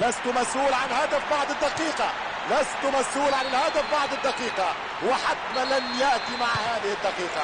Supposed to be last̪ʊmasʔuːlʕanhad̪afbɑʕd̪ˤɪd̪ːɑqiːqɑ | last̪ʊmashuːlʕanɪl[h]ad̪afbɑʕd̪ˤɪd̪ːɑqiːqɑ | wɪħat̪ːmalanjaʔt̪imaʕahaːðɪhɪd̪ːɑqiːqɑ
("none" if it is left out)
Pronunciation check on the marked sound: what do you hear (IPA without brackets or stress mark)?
h